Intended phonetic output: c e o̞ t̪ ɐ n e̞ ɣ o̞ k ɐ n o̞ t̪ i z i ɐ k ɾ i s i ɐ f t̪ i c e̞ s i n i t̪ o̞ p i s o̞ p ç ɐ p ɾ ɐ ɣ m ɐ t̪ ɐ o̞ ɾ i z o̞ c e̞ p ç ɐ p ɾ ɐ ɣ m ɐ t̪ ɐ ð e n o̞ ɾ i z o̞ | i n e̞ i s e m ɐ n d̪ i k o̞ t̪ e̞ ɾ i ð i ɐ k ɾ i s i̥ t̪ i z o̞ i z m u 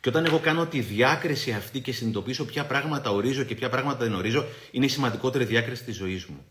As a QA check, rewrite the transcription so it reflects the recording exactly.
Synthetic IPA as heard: c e o̞ t̪ ɐ n e̞ ɣ o̞ k ɐ n o̞ t̪ i ð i ɐ k ɾ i s i ɐ f t̪ i c e̞ s i n i t̪ o̞ p i s o̞ p ç ɐ p ɾ ɐ ɣ m ɐ t̪ ɐ o̞ ɾ i z o̞ c e̞ p ç ɐ p ɾ ɐ ɣ m ɐ t̪ ɐ ð e n o̞ ɾ i z o̞ | i n e̞ i s i m ɐ n d̪ i k o̞ t̪ e̞ ɾ i ð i ɐ k ɾ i s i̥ t̪ i z o̞ i z m u